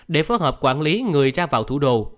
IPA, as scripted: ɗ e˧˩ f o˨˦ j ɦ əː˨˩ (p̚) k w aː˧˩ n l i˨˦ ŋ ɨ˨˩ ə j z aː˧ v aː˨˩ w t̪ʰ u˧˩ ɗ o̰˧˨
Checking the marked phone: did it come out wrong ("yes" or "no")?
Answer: no